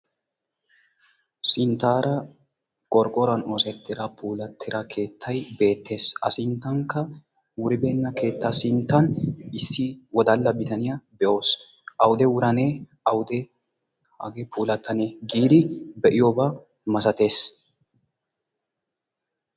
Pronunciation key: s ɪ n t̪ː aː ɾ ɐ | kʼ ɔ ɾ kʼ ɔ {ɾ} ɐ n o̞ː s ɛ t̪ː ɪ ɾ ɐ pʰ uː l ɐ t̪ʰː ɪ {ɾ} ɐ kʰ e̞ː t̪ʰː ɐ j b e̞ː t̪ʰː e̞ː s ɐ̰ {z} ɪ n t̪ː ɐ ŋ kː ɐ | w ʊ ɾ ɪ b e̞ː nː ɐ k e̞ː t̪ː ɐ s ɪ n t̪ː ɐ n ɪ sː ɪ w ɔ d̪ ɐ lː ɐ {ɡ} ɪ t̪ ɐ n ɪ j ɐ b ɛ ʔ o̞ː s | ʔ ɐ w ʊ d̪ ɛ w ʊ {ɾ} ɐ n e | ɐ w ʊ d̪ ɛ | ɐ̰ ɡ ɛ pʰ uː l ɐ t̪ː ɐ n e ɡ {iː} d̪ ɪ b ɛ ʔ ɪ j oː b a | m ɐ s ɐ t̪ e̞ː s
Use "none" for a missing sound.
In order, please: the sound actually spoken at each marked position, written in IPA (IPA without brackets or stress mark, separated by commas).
ɾ, ɾ, s, b, ɾ, iː